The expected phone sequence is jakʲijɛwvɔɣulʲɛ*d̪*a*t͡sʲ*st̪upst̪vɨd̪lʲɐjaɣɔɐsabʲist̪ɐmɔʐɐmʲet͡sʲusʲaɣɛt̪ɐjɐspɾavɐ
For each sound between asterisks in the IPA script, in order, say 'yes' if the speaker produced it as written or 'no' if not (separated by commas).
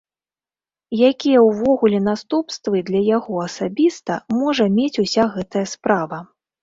no, no